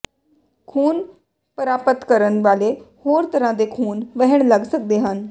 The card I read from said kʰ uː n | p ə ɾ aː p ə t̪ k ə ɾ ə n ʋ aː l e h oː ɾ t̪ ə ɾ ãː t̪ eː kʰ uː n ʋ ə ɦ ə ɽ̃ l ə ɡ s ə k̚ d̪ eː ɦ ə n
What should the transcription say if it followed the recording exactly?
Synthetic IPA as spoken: kʰ uː n | p ə ɾ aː p ə t̪ k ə ɾ ə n ʋ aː l e h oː ɾ t̪ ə ɾ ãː d̪ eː kʰ uː n ʋ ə ɦ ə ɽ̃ l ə ɡ s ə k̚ d̪ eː ɦ ə n